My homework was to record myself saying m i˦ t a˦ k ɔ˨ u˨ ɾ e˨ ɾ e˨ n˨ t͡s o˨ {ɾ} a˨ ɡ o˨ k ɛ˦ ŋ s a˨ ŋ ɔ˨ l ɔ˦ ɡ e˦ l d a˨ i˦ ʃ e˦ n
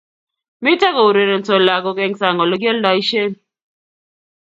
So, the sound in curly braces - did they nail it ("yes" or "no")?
no